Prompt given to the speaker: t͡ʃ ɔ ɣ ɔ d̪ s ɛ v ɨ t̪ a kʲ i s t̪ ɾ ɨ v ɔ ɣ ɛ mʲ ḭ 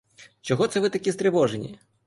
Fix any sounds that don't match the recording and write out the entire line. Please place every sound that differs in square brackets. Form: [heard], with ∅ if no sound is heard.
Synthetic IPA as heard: t͡ʃ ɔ ɣ ɔ [t̪] s ɛ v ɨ t̪ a kʲ i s t̪ ɾ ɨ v ɔ [ʐ] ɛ [nʲ] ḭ